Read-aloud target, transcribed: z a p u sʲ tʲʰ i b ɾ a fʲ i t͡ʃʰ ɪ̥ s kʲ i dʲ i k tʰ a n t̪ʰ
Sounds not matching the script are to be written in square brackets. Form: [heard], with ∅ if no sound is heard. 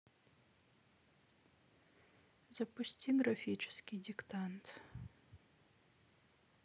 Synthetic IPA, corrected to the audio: z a p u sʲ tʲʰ i [ɡ] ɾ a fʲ i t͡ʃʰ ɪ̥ s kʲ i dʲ i k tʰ a n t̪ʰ